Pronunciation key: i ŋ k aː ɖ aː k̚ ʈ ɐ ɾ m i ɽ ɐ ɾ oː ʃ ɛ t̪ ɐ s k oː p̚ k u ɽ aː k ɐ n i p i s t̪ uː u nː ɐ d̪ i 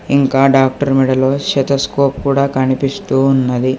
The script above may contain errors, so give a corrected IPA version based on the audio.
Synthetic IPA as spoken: i ŋ k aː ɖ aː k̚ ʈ ɐ ɾ m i ɽ ɐ l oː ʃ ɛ t̪ ɐ s k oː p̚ k uː ɽ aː k ɐ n i p i s t̪ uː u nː ɐ d̪ i